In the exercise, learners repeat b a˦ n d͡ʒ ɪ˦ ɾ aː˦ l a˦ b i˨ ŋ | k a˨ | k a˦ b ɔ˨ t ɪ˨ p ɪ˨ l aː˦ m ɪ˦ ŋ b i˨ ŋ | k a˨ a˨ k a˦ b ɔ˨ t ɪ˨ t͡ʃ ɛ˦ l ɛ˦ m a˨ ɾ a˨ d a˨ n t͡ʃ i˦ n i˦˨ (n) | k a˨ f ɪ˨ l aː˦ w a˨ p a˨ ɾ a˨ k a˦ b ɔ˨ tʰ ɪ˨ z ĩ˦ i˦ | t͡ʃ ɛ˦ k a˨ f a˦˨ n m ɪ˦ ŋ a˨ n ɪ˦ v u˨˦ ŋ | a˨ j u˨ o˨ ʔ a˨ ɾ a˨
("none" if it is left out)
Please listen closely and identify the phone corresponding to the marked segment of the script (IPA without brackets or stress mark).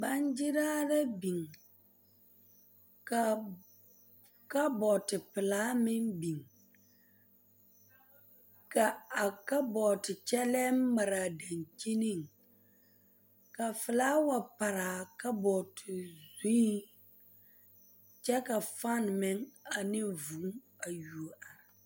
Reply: ŋ